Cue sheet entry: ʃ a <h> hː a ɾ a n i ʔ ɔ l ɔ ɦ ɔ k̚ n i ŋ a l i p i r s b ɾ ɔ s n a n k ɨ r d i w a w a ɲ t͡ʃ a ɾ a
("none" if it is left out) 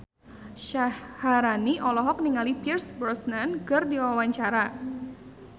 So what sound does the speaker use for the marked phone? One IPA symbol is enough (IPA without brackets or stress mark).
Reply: h